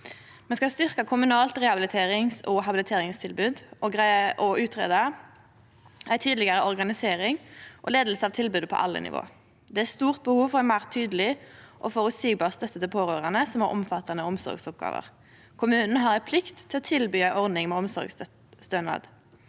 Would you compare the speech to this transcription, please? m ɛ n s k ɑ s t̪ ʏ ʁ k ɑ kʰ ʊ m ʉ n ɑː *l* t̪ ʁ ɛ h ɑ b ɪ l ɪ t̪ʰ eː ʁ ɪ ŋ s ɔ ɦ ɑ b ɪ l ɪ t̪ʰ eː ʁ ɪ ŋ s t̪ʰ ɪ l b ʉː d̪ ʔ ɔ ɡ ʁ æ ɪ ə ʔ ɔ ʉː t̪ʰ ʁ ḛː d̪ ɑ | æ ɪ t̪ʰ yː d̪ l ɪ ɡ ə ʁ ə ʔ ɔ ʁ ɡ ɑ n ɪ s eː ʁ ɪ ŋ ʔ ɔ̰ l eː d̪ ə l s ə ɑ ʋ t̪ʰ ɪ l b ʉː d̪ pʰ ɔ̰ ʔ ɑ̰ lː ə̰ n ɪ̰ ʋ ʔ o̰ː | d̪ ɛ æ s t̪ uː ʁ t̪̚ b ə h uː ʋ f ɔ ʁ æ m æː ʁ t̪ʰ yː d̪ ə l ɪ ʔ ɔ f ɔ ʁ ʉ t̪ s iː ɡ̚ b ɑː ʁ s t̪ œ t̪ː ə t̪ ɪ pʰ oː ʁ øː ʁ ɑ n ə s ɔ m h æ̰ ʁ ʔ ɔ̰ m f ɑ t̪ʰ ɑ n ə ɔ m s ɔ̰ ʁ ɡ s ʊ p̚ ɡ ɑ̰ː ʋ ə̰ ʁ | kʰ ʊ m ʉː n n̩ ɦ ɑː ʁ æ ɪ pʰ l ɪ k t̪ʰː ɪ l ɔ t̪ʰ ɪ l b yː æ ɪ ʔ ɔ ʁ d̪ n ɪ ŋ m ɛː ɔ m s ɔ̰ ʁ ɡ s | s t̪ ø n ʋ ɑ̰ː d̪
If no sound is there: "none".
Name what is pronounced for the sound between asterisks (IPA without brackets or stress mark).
l